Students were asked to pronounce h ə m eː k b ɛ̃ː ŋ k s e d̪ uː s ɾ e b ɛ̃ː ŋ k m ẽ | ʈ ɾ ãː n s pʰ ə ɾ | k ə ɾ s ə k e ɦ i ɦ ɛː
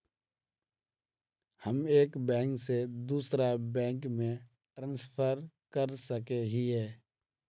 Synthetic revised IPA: h ə m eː k b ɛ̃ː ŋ k s e d̪ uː s ɾ a b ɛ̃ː ŋ k m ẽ | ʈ ɾ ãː n s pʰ ə ɾ | k ə ɾ s ə k e ɦ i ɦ ɛː